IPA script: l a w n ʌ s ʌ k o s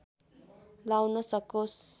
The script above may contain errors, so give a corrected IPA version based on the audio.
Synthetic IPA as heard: l a w n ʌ s ʌ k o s